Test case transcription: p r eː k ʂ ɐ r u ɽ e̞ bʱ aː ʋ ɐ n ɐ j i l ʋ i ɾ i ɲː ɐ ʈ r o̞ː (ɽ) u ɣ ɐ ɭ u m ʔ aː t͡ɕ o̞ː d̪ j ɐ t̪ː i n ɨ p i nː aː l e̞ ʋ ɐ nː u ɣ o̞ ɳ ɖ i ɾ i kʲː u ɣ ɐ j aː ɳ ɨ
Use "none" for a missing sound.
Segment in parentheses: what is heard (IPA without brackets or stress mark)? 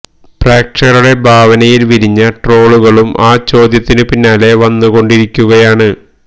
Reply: ɭ